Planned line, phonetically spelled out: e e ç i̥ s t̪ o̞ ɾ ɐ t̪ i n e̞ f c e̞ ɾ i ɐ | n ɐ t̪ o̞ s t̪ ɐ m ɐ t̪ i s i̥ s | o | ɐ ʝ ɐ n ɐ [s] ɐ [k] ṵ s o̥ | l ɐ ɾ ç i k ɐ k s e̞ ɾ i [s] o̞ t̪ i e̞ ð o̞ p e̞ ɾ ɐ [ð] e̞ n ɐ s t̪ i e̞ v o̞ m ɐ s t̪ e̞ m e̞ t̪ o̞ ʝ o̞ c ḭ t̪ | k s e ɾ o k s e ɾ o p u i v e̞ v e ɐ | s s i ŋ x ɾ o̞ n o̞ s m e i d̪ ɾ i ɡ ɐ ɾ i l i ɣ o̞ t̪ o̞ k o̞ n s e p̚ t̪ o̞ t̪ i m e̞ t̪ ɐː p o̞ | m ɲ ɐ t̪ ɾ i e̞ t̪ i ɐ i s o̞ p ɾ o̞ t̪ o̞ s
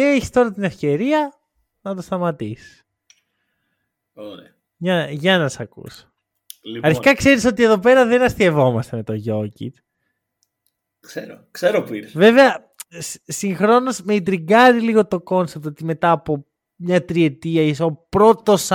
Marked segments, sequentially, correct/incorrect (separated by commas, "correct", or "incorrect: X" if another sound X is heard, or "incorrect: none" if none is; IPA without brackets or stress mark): correct, correct, correct, correct